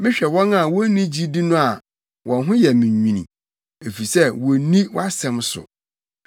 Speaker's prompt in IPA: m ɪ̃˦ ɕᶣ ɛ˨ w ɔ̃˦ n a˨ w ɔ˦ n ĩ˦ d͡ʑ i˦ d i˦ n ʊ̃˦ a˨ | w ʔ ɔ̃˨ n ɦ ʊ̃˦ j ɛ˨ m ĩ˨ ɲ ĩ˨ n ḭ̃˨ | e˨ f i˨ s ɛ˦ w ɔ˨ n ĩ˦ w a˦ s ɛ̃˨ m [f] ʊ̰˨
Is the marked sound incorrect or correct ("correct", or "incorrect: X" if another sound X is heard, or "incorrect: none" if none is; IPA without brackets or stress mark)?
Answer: incorrect: s